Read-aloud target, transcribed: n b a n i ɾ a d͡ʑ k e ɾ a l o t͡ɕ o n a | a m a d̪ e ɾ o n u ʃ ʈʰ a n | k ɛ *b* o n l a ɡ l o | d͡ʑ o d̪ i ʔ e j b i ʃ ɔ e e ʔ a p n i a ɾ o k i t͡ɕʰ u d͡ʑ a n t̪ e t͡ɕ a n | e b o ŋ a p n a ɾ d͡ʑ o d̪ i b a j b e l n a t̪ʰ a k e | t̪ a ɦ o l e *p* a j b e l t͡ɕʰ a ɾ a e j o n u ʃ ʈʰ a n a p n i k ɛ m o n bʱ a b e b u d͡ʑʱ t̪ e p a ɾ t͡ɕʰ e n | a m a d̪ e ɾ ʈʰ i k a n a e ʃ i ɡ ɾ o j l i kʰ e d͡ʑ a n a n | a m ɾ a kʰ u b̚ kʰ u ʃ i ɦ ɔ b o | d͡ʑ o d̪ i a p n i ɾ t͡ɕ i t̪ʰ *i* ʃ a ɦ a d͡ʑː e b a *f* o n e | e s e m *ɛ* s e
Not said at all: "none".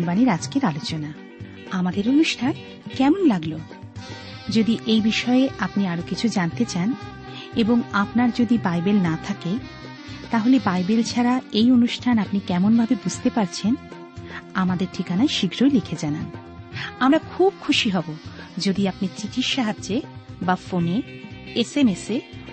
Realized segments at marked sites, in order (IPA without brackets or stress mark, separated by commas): m, b, i, f, e